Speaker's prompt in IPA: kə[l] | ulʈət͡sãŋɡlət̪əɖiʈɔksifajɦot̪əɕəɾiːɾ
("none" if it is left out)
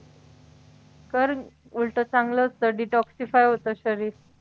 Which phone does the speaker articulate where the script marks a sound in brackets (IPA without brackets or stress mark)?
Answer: ɾ